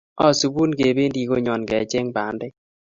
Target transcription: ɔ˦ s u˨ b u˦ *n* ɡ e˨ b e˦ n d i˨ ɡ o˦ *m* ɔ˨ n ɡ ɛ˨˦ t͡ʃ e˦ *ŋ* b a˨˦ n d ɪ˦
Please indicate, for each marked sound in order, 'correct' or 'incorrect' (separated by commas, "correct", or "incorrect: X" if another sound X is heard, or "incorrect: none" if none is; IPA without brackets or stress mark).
correct, incorrect: ɲ, correct